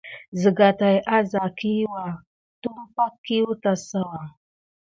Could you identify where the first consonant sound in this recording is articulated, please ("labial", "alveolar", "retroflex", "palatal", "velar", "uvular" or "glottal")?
alveolar